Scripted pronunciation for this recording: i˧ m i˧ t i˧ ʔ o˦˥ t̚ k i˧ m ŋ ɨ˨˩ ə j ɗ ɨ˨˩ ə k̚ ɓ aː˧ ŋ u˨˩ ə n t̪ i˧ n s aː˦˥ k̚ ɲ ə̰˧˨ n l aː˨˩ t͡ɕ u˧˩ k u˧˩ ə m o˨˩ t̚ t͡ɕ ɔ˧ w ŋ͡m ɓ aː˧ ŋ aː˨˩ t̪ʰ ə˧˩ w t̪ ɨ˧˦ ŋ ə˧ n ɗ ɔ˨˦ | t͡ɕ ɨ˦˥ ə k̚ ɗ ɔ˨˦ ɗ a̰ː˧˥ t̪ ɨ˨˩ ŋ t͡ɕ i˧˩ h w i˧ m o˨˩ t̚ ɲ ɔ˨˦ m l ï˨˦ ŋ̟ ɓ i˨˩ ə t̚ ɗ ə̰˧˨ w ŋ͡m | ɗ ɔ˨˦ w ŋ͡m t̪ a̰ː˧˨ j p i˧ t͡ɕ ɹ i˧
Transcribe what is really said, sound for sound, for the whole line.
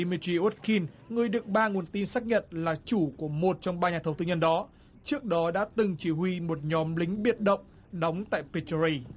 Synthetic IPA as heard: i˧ m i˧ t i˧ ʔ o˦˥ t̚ k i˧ n ŋ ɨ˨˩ ə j ɗ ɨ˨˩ ə k̚ ɓ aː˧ ŋ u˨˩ ə n t̪ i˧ n s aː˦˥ k̚ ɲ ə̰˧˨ n l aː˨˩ t͡ɕ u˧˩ k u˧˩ ə m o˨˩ t̚ t͡ɕ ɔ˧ w ŋ͡m ɓ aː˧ ɲ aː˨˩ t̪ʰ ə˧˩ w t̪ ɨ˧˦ ɲ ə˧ n ɗ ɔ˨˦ | t͡ɕ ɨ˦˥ ə k̚ ɗ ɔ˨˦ ɗ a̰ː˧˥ t̪ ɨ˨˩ ŋ t͡ɕ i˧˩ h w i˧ m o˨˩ t̚ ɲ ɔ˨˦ m l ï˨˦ ŋ̟ ɓ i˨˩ ə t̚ ɗ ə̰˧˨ w ŋ͡m | ɗ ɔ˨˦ w ŋ͡m t̪ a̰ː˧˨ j p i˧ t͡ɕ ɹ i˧